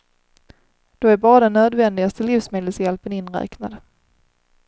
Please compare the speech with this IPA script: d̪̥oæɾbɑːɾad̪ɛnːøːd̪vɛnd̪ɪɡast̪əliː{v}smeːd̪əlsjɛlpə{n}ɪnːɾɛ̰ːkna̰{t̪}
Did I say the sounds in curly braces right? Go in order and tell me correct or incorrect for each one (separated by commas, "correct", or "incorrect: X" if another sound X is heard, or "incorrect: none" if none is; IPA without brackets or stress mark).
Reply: incorrect: f, correct, incorrect: d̪